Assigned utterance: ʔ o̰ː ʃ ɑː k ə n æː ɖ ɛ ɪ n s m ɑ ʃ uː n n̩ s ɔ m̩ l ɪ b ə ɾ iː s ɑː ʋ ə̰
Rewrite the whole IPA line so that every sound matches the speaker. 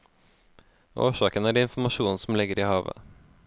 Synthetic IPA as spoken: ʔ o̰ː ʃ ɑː k ə n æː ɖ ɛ ɪ n f m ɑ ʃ uː n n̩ s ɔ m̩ l ɪ ɡ ə ɾ iː h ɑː ʋ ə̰